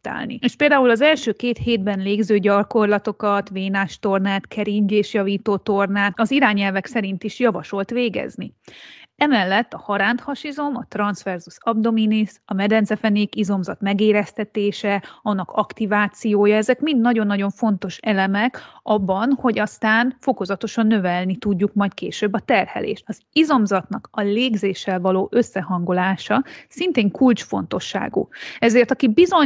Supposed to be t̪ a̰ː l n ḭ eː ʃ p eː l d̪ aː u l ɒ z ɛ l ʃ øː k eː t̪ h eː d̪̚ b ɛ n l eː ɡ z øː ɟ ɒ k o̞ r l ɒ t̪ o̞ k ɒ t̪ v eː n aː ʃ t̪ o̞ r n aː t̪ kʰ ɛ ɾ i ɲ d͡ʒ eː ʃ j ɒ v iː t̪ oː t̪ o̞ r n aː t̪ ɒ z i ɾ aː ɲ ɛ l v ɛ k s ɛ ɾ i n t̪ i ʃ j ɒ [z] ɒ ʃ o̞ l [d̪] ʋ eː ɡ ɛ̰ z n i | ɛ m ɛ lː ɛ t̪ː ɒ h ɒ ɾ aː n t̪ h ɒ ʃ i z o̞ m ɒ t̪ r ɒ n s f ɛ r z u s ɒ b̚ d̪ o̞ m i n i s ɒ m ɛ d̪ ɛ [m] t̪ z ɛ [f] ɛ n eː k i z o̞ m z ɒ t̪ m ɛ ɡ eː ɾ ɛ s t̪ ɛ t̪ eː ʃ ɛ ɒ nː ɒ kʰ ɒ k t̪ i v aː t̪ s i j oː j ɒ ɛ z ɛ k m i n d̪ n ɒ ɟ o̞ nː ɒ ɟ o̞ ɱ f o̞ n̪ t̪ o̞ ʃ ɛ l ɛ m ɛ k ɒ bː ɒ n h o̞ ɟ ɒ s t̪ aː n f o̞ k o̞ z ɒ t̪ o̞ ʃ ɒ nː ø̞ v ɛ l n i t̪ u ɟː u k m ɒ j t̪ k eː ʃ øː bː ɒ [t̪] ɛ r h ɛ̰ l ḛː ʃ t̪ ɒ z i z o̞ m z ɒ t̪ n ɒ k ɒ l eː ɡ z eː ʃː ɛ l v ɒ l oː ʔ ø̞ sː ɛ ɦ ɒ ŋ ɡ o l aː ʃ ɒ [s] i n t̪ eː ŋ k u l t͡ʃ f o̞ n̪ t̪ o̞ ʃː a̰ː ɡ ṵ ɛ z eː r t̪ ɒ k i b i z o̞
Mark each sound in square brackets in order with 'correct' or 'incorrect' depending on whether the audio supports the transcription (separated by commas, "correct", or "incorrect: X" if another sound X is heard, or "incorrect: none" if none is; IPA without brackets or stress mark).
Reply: incorrect: v, incorrect: t̪, incorrect: n, correct, correct, correct